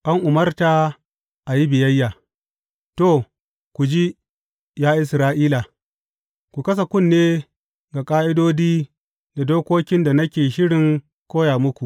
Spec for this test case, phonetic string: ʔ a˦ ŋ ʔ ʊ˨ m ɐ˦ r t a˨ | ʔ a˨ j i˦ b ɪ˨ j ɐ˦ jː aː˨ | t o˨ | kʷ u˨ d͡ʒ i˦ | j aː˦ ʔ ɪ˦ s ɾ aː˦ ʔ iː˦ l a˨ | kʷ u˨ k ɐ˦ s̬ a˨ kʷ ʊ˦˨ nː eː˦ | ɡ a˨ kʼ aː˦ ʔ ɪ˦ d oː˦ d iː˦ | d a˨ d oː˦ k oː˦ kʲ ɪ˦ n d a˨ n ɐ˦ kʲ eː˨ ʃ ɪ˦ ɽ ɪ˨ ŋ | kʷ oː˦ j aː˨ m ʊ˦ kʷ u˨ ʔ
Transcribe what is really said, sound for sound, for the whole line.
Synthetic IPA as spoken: ʔ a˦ ŋ ʔ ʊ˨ m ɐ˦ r t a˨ | ʔ a˨ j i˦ b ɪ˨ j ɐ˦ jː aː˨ | t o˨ | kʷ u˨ d͡ʒ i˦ | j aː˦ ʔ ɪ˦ s ɾ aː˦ ʔ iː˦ l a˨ | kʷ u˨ k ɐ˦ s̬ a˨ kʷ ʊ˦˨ nː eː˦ | ɡ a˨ kʼ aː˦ ʔ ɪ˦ d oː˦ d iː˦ | d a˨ d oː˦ k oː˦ kʲ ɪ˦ n d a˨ n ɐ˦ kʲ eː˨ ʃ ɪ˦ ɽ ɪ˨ ŋ | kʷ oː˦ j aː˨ m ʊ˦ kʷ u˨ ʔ